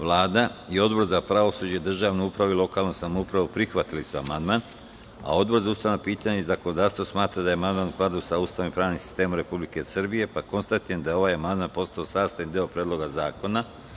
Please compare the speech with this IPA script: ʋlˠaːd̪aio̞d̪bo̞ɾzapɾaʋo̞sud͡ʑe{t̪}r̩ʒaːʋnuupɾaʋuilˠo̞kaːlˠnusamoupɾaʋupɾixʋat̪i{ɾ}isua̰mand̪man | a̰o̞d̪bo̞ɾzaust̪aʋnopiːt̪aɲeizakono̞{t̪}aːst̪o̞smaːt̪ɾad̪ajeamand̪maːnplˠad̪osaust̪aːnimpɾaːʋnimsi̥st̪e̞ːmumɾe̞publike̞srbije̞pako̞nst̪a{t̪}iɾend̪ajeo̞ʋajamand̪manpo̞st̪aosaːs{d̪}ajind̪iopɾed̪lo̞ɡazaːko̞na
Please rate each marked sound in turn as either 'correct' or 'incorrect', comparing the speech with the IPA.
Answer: incorrect, incorrect, incorrect, correct, incorrect

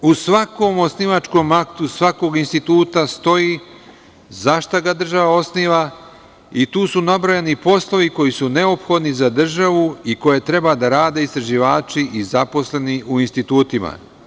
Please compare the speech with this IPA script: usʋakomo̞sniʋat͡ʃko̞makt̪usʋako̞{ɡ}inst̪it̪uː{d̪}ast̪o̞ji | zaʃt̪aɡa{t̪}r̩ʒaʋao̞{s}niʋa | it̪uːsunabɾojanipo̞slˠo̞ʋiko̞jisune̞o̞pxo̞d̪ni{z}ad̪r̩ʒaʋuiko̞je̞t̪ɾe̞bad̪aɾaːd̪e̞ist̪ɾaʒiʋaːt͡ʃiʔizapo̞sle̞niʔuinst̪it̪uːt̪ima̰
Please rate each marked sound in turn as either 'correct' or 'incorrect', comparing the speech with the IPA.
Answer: correct, incorrect, incorrect, correct, correct

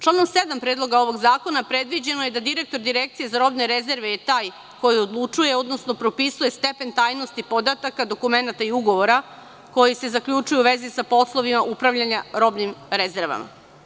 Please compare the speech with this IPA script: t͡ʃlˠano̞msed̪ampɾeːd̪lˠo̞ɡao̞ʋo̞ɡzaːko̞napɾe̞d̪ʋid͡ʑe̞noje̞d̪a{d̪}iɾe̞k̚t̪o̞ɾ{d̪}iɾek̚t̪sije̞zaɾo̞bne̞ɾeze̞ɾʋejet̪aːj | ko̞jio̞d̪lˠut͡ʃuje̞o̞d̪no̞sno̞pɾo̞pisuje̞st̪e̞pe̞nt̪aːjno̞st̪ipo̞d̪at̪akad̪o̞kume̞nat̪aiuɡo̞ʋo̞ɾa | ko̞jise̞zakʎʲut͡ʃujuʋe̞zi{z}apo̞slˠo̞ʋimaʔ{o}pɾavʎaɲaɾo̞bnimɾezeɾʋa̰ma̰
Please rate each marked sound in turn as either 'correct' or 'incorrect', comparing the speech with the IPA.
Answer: correct, correct, incorrect, incorrect

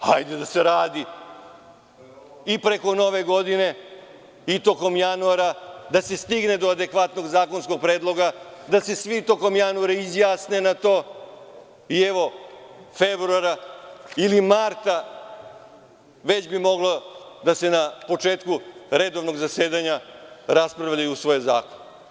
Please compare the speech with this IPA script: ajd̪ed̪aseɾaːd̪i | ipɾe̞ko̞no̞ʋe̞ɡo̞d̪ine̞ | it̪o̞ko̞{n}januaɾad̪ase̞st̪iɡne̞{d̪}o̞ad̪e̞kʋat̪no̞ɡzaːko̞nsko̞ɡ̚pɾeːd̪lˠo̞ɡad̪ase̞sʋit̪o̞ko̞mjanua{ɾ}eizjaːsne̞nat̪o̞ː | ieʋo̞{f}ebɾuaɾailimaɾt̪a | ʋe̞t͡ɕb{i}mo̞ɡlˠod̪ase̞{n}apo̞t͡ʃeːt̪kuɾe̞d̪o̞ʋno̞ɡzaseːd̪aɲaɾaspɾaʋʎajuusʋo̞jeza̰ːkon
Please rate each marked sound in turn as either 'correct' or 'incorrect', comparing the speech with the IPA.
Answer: incorrect, correct, correct, correct, correct, correct

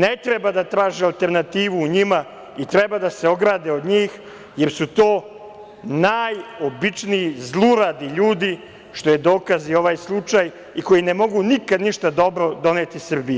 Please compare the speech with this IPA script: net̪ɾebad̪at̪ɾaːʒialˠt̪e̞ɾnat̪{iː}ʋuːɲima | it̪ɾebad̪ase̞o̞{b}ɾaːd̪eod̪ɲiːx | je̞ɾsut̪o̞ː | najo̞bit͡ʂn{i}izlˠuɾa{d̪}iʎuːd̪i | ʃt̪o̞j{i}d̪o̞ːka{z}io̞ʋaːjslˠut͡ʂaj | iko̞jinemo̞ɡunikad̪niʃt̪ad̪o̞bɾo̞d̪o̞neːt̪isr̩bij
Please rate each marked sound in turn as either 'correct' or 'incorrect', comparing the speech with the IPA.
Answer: correct, incorrect, correct, correct, incorrect, correct

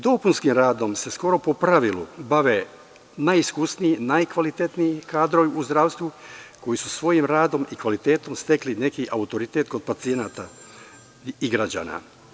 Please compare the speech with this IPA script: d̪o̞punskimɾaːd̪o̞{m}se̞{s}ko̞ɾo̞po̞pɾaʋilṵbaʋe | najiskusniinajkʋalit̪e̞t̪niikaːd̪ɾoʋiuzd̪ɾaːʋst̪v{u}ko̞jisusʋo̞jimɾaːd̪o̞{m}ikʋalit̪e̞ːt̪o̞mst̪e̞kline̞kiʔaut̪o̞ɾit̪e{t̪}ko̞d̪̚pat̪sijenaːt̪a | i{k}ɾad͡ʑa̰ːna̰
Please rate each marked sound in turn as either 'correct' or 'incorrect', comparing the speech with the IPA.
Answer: correct, correct, correct, correct, correct, incorrect

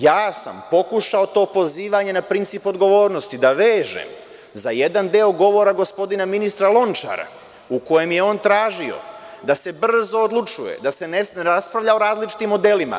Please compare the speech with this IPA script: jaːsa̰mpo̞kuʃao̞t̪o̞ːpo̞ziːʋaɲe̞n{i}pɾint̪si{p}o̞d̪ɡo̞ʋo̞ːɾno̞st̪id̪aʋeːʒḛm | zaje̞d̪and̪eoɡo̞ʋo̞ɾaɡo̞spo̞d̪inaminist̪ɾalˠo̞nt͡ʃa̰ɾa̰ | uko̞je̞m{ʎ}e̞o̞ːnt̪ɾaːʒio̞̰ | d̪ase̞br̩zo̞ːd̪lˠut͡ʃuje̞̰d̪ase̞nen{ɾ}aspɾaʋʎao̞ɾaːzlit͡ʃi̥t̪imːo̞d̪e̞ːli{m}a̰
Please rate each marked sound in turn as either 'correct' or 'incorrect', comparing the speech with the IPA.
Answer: incorrect, correct, incorrect, correct, correct

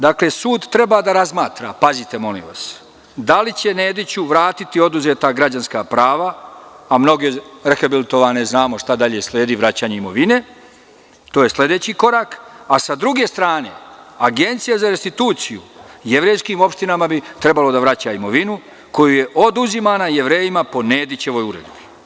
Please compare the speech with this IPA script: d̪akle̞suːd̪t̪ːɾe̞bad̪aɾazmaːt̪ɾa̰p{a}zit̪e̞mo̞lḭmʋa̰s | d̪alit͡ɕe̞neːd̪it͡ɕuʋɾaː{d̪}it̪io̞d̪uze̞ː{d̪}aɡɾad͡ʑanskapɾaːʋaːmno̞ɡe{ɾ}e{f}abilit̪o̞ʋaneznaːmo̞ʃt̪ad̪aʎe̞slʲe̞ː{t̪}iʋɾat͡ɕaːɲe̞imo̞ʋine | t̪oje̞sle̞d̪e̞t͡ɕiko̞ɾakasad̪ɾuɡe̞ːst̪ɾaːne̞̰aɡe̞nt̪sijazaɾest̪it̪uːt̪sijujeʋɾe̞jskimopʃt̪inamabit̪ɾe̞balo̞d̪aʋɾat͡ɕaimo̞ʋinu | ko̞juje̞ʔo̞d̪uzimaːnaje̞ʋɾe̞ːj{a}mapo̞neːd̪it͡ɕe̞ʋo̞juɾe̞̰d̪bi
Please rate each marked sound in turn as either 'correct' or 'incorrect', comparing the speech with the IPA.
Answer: correct, incorrect, incorrect, correct, incorrect, incorrect, incorrect

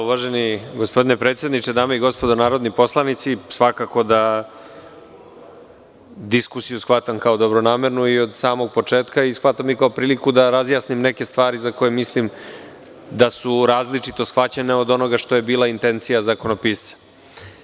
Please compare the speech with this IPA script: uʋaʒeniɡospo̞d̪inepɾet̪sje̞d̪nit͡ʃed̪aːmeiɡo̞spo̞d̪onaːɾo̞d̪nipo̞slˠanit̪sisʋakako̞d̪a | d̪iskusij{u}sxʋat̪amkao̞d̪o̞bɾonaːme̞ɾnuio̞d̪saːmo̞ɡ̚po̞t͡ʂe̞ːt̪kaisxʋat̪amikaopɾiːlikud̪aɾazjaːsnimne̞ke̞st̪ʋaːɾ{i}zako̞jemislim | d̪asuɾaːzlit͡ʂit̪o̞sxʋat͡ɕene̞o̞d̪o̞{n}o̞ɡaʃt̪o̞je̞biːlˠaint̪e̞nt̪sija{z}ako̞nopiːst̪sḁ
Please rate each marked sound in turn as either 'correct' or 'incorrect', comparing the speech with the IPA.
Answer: correct, correct, correct, correct

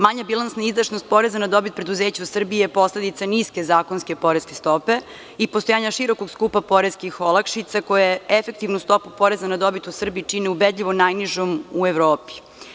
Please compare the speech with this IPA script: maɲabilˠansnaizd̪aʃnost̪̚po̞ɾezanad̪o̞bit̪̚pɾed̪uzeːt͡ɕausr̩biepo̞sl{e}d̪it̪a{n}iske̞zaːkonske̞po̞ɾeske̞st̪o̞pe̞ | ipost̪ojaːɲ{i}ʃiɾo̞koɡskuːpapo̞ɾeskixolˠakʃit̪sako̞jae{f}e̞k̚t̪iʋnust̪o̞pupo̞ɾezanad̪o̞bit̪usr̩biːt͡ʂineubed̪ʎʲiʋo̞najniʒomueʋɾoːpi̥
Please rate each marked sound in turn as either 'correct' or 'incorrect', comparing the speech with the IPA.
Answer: correct, correct, incorrect, correct

